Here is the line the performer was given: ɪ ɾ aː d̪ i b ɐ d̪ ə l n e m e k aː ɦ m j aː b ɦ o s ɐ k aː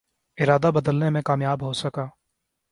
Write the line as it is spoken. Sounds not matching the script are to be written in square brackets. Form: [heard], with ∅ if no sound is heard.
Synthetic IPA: ɪ ɾ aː d̪ [a] b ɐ d̪ ə l n e m [ẽ] k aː [∅] m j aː b ɦ o s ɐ k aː